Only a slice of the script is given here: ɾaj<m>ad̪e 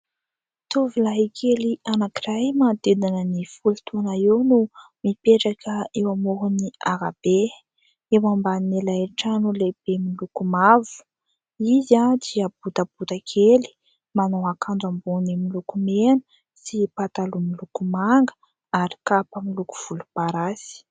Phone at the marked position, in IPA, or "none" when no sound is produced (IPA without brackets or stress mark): m